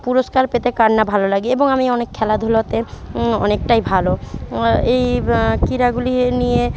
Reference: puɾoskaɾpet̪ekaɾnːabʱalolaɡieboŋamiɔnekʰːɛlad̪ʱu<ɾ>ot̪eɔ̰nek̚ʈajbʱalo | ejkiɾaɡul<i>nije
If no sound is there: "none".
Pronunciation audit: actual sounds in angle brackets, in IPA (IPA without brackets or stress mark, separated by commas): l, i